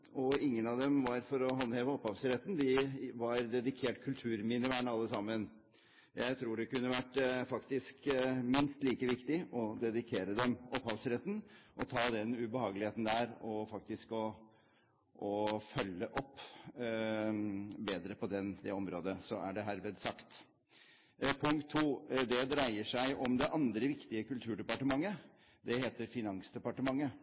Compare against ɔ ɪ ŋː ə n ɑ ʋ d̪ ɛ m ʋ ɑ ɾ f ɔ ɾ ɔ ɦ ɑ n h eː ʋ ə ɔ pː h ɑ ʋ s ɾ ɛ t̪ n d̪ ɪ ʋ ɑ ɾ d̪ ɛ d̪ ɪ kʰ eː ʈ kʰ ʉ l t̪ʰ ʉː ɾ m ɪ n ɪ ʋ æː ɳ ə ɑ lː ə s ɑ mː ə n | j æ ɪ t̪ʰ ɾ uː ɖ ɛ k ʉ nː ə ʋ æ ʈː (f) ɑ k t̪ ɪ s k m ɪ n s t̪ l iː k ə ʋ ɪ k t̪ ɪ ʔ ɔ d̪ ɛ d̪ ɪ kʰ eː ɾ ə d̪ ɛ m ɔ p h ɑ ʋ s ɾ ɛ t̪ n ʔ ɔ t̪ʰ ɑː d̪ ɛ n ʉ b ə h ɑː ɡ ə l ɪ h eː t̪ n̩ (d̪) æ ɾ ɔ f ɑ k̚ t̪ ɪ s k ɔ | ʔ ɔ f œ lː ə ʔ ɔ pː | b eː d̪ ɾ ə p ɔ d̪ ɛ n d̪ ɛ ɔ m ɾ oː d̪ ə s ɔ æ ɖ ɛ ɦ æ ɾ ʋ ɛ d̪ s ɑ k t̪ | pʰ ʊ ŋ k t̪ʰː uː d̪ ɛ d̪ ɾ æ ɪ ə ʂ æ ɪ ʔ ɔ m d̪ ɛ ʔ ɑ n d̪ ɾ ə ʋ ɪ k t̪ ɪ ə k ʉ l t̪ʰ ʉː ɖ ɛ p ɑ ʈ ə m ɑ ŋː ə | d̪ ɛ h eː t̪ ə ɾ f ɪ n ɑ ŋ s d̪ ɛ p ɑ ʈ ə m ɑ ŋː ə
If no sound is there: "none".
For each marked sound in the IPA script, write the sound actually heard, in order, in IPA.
f, d̪

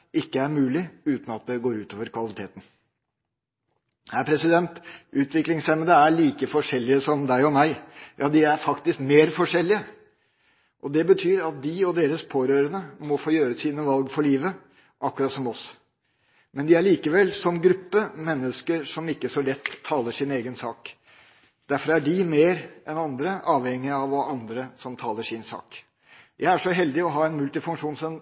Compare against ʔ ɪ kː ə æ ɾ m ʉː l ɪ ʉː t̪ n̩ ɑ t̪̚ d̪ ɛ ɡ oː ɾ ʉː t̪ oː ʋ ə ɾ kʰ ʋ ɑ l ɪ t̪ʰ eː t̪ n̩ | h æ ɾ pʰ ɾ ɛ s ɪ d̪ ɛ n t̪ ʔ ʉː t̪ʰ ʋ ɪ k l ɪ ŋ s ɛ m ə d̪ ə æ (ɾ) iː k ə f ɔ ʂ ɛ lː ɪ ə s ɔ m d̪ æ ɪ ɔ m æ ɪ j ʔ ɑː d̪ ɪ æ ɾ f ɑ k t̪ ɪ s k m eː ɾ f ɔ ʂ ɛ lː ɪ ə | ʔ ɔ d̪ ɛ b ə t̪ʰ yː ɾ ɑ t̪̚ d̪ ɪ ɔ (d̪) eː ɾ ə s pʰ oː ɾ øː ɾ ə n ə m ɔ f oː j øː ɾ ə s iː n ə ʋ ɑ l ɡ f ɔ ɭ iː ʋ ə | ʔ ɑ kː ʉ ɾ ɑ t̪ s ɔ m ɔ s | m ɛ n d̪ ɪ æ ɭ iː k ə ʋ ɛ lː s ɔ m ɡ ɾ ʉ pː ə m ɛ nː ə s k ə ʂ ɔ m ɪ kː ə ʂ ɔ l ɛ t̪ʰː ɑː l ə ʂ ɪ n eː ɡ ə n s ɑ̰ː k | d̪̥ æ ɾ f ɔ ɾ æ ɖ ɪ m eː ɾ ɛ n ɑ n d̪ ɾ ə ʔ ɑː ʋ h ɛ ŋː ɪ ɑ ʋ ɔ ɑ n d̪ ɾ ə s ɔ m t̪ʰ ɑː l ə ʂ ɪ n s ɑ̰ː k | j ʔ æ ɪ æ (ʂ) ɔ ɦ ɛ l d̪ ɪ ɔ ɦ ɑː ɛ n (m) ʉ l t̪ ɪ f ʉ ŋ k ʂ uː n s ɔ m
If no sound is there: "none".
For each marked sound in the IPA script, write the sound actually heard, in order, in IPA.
ɭ, d̪, ʂ, m

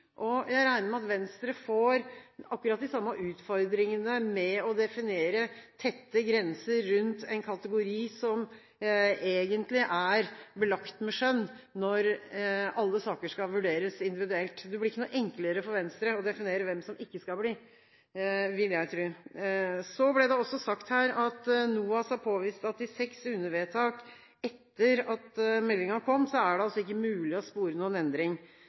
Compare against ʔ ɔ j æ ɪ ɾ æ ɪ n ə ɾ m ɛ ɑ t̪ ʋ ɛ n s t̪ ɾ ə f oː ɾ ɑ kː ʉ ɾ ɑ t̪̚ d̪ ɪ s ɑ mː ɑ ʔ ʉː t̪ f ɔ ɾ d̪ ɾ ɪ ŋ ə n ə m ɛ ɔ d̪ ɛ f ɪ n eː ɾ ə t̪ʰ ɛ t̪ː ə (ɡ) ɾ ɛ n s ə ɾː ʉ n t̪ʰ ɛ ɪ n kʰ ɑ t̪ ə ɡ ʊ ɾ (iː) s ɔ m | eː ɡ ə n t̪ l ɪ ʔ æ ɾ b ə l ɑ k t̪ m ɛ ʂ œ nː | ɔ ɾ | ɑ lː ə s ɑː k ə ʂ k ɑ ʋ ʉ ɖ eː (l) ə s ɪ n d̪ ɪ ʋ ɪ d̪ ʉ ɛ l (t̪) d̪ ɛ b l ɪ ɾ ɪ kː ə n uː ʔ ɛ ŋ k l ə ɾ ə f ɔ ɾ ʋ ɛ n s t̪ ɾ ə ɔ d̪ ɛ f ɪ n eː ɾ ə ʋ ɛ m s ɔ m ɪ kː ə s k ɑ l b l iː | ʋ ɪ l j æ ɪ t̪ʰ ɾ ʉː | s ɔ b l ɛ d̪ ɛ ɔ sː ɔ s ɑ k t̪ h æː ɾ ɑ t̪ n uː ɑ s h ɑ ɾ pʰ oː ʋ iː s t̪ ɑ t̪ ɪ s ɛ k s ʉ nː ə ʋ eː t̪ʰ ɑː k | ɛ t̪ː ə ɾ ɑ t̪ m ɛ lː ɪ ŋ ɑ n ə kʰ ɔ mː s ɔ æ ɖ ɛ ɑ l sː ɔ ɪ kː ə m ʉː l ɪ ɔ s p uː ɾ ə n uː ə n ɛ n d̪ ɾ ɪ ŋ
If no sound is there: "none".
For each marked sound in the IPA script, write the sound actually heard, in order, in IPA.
ɡ, iː, ɾ, t̪

